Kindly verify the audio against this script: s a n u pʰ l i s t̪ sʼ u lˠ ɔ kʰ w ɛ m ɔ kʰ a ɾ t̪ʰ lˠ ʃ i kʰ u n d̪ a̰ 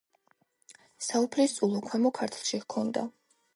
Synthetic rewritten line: s a u pʰ l i s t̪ sʼ u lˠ ɔ kʰ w ɛ m ɔ kʰ a ɾ t̪ʰ lˠ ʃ i kʰ ɔ n d̪ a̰